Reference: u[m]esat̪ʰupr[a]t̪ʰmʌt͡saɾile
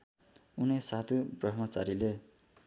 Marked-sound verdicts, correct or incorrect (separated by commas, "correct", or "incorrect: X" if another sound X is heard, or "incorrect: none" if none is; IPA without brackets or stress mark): incorrect: n, incorrect: ʌ